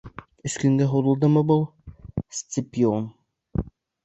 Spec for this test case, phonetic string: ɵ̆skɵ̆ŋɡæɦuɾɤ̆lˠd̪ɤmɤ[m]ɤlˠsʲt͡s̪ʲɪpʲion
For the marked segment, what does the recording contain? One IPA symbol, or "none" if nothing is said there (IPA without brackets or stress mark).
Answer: b